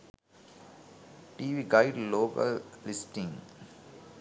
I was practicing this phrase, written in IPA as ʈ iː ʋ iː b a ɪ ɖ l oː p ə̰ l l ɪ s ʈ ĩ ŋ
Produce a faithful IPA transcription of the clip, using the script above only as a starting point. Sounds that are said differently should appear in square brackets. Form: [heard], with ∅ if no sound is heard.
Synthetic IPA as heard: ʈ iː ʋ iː [ɡ] a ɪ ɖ l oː [k] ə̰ l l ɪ s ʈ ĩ ŋ